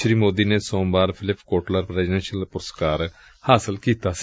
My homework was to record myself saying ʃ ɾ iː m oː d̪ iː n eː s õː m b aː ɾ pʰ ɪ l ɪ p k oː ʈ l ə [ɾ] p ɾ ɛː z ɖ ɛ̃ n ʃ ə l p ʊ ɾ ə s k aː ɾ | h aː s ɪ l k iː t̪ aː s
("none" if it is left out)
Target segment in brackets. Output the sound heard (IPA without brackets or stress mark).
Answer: ɾ